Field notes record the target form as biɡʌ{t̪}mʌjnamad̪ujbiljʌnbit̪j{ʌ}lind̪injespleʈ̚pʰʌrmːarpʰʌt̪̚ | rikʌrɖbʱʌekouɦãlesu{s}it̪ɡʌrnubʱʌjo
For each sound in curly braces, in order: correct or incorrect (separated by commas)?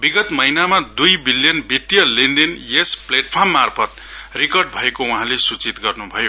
correct, correct, incorrect